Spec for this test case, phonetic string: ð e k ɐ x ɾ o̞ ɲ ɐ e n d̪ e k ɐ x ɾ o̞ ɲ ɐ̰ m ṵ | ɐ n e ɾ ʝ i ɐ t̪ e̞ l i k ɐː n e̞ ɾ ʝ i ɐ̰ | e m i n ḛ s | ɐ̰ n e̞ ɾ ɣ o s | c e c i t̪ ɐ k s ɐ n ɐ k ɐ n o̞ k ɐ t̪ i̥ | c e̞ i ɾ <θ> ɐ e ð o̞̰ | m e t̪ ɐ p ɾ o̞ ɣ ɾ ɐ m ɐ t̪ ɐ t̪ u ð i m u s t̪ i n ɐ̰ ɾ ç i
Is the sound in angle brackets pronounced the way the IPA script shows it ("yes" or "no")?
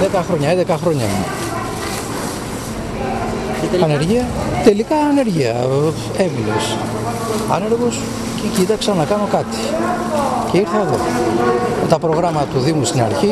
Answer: yes